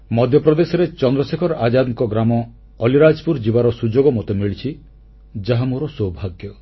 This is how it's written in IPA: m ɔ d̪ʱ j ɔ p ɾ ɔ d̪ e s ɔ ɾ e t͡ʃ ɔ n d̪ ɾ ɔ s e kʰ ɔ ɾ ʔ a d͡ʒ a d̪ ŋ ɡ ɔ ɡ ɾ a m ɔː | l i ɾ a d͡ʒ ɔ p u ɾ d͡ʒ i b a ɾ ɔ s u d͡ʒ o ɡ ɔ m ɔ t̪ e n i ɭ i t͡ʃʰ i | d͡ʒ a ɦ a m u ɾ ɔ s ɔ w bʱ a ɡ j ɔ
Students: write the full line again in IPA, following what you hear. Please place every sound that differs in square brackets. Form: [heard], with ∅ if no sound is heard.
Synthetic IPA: m ɔ d̪ʱ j ɔ p ɾ ɔ d̪ e s ɔ ɾ e t͡ʃ ɔ n d̪ ɾ ɔ s e kʰ ɔ ɾ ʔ a d͡ʒ a d̪ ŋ [k] ɔ ɡ ɾ a m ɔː | l i ɾ a d͡ʒ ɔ p u ɾ d͡ʒ i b a ɾ ɔ s u d͡ʒ o ɡ ɔ m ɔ t̪ e [m] i ɭ i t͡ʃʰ i | d͡ʒ a ɦ a m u ɾ ɔ s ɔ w bʱ a ɡ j ɔ